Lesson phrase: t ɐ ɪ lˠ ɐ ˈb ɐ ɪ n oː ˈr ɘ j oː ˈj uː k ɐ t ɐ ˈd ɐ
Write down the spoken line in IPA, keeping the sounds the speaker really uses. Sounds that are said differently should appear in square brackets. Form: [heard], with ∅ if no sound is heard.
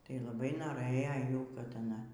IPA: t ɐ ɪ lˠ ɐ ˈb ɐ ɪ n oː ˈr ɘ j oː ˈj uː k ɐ t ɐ [ˈn] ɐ